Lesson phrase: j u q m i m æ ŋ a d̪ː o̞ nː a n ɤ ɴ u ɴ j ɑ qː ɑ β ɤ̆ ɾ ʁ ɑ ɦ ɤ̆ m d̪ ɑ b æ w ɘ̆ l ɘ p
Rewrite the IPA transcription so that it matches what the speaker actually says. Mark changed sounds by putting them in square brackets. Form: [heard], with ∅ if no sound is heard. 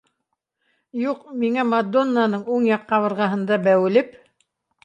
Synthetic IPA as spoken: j u q m i [ŋ] æ [m] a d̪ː o̞ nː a n ɤ ɴ u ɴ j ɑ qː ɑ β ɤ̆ ɾ ʁ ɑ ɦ ɤ̆ [n] d̪ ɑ b æ w ɘ̆ l ɘ p

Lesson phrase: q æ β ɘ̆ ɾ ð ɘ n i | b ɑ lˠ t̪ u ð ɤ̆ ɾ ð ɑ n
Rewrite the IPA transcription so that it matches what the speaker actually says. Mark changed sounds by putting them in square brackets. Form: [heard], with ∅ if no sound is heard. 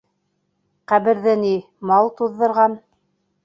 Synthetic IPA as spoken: q æ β ɘ̆ ɾ ð ɘ n i | [m] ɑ lˠ t̪ u [ðː] ɤ̆ ɾ [ʁ] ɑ n

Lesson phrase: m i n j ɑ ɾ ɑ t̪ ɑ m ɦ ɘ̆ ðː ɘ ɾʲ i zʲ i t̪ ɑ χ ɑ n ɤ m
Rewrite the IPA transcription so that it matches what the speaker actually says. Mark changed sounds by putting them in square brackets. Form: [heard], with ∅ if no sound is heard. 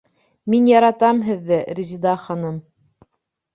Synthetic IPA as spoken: m i n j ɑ ɾ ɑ t̪ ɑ m ɦ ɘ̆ ðː ɘ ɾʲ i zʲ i [d̪] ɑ χ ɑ n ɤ m

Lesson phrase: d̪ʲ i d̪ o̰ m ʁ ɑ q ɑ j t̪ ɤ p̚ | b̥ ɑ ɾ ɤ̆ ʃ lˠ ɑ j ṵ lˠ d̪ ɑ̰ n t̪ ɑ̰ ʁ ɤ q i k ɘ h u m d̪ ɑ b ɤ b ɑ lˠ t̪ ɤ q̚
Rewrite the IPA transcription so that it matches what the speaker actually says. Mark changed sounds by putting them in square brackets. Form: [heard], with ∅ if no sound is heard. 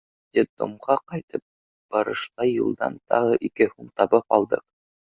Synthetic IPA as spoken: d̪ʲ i d̪ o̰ m ʁ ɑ q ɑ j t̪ ɤ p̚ | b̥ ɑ ɾ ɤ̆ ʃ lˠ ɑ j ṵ lˠ d̪ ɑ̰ n t̪ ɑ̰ ʁ ɤ [ʔ] i k ɘ h u m [t̪] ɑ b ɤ [p] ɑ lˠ [d̪] ɤ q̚

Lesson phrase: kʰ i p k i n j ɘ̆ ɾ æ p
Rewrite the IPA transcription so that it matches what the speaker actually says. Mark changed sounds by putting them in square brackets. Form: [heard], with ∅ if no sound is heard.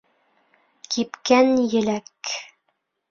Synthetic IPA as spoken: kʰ i p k [æ] n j ɘ̆ [l] æ [k]

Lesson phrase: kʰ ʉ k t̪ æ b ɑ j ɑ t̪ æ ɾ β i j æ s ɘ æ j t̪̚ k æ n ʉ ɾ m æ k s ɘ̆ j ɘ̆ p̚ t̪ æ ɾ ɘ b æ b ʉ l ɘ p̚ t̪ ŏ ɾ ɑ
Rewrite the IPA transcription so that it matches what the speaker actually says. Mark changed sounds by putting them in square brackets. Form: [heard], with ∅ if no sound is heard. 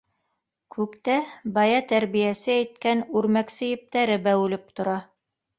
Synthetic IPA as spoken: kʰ ʉ k t̪ æ b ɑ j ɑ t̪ æ ɾ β i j æ s ɘ æ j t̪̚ k æ n ʉ ɾ m æ k s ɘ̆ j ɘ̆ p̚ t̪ æ ɾ ɘ b æ [w] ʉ l ɘ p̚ t̪ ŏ ɾ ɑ

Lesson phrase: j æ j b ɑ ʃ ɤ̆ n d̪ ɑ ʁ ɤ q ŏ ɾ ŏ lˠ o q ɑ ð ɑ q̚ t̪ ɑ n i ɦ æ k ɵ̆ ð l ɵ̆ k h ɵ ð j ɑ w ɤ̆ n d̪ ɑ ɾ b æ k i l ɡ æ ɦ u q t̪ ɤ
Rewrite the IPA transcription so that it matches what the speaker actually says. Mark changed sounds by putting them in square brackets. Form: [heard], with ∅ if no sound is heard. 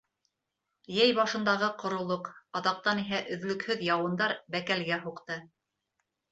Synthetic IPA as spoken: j æ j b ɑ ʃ ɤ̆ n d̪ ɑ ʁ ɤ q ŏ ɾ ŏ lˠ o q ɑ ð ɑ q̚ t̪ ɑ n i ɦ æ [ʔ] ɵ̆ ð l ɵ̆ k h ɵ ð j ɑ w ɤ̆ n d̪ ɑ ɾ b æ k [æ] l ɡ æ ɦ u q t̪ ɤ

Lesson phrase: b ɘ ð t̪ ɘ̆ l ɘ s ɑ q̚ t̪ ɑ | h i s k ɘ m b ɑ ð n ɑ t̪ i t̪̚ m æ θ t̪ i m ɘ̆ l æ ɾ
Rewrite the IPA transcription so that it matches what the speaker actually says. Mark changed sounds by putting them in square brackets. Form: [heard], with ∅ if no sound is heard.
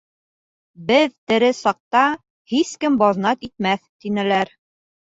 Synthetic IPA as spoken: b ɘ ð t̪ ɘ̆ [ɾ] ɘ s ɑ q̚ t̪ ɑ | h i s k ɘ m b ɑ ð n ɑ t̪ i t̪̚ m æ θ t̪ i [n] ɘ̆ l æ ɾ

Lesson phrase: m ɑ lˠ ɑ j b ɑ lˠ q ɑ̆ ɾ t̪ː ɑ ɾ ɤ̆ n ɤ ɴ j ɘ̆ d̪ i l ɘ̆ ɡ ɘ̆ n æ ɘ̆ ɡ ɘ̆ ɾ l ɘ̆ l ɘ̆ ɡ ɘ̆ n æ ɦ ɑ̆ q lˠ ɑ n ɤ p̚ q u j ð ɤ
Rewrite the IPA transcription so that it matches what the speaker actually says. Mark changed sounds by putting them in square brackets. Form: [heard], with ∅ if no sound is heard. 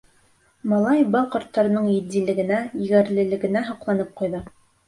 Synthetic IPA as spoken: m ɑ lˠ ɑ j b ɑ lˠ q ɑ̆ ɾ t̪ː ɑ ɾ ɤ̆ n ɤ ɴ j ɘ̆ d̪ i l ɘ̆ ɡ ɘ̆ n æ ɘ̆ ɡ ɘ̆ ɾ l ɘ̆ l ɘ̆ ɡ ɘ̆ n æ ɦ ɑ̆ q lˠ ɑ n ɤ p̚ q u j ð ɤ

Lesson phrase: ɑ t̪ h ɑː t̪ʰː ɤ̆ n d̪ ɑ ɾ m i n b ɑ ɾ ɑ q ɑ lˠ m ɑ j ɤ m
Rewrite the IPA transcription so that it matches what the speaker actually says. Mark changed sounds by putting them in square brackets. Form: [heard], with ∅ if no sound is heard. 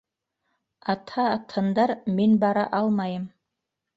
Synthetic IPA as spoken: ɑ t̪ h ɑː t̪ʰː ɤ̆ n d̪ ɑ ɾ m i n b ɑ ɾ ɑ [ʔ] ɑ lˠ m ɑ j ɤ m

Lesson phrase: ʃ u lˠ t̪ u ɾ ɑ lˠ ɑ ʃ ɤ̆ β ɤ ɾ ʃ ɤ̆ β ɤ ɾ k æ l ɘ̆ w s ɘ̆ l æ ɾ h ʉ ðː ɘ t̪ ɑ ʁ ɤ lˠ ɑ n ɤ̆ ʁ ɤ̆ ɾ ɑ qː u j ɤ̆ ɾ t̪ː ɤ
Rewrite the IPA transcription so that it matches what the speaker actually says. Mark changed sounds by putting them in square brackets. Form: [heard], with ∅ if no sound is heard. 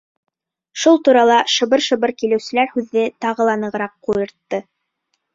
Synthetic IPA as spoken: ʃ u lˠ t̪ u ɾ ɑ lˠ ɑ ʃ ɤ̆ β ɤ ɾ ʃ ɤ̆ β ɤ ɾ k [i] l ɘ̆ w s ɘ̆ l æ ɾ h ʉ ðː ɘ t̪ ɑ ʁ ɤ lˠ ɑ n ɤ̆ ʁ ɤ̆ ɾ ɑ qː u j ɤ̆ ɾ t̪ː ɤ

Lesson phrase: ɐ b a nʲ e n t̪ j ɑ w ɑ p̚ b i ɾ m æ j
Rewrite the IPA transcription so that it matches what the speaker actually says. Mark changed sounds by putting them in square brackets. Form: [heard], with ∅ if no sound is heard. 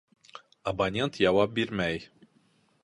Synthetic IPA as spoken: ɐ b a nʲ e n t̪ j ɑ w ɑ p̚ b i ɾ m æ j

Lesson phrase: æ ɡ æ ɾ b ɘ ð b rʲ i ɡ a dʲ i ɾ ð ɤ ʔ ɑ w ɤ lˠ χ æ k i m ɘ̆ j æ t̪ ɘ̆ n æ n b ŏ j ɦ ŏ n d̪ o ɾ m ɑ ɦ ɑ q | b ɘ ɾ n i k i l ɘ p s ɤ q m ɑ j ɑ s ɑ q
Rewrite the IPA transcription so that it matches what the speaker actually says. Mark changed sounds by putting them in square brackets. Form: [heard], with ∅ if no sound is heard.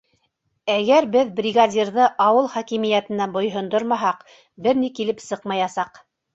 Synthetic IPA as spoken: æ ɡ æ ɾ b ɘ ð b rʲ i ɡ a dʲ i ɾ ð ɤ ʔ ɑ w ɤ lˠ χ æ k i m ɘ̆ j æ t̪ ɘ̆ n æ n b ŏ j ɦ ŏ n d̪ o ɾ m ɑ ɦ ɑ q | b ɘ ɾ n i k i l ɘ p s ɤ q m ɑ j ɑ s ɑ q

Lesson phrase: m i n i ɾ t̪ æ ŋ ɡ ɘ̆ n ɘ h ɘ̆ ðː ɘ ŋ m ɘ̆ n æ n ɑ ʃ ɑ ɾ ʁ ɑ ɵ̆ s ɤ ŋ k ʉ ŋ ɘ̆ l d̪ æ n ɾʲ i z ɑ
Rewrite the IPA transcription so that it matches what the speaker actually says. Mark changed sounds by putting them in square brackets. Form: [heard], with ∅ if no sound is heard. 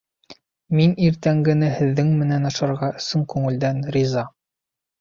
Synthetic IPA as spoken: m i n i ɾ t̪ æ ŋ ɡ ɘ̆ n ɘ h ɘ̆ ðː ɘ ŋ m ɘ̆ n æ n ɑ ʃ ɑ ɾ ʁ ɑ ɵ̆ s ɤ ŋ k ʉ ŋ ɘ̆ l d̪ æ n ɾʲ i z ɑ

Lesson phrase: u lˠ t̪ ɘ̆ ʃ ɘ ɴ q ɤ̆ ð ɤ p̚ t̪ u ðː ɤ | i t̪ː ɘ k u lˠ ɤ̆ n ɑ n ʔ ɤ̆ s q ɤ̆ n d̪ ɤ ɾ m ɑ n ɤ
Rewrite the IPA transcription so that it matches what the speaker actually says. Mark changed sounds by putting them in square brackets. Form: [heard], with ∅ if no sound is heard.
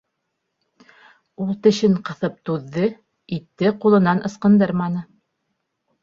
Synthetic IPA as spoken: u lˠ t̪ ɘ̆ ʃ ɘ ɴ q ɤ̆ [θ] ɤ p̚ t̪ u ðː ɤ | i t̪ː ɘ [q] u lˠ ɤ̆ n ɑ n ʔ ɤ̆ s q ɤ̆ n d̪ ɤ ɾ m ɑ n ɤ

